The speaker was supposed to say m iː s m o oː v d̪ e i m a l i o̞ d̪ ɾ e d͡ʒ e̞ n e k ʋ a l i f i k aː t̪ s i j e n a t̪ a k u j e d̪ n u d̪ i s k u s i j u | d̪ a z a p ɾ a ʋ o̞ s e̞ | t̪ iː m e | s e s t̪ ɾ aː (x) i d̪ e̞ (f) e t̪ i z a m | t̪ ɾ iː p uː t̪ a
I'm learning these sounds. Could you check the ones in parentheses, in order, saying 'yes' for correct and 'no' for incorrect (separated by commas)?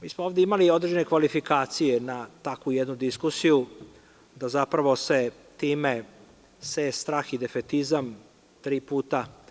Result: yes, yes